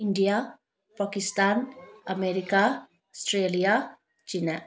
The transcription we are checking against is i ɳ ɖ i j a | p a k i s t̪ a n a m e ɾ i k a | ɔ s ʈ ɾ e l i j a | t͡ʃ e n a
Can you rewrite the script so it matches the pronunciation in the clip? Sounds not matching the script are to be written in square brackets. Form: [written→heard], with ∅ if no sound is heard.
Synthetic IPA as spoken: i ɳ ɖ i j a | p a k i s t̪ a n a m e ɾ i k a | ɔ s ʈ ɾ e l i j a | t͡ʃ [e→i] n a